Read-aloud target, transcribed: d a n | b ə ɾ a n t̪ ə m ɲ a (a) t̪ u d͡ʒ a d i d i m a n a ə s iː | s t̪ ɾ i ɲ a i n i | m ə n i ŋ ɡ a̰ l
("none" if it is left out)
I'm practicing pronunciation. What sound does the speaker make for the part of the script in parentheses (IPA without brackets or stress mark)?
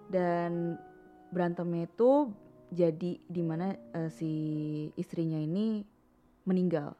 i